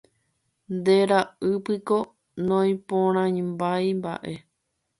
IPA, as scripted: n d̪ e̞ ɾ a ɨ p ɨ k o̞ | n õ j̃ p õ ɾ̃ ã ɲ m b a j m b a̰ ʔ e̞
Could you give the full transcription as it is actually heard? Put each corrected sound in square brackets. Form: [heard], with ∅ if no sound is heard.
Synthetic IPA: n d̪ e̞ ɾ a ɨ p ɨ k o̞ | n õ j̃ p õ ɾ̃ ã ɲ m b a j m b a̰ ʔ e̞